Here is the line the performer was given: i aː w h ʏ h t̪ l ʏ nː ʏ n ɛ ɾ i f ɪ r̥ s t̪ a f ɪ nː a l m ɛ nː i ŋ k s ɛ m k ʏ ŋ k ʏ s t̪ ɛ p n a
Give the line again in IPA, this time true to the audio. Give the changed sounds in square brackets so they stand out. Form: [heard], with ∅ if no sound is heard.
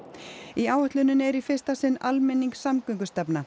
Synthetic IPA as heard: i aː w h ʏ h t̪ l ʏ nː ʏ n ɛ ɾ i f ɪ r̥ s t̪ a [s] ɪ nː a l m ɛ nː i ŋ k s [a] m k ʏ ŋ k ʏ s t̪ ɛ p n a